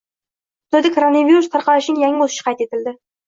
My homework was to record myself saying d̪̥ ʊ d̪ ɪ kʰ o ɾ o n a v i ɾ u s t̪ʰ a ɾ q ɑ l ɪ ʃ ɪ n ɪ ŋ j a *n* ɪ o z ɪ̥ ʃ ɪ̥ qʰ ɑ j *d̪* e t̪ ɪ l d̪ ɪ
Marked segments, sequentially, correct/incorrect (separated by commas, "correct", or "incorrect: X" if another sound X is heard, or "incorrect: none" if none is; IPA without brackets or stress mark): incorrect: ŋ, incorrect: t̪